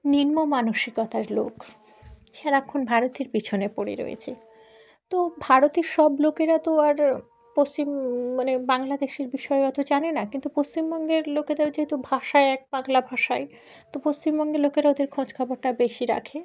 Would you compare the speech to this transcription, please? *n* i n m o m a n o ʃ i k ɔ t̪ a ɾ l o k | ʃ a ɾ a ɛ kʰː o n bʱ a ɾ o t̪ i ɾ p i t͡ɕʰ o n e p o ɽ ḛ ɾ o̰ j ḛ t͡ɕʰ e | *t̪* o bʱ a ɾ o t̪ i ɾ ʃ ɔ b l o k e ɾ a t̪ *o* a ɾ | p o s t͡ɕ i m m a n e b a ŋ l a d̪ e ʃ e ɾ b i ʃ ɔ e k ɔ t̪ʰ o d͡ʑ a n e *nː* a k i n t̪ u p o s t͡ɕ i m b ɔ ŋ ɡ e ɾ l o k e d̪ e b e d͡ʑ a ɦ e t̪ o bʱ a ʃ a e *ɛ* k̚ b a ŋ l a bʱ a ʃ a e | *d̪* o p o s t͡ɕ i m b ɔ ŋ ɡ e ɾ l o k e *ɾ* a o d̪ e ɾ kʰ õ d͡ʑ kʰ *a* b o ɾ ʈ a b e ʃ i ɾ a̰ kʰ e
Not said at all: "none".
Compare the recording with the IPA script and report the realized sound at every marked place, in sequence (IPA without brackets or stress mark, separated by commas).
n, t̪, o, n, ɛ, t̪, ɾ, a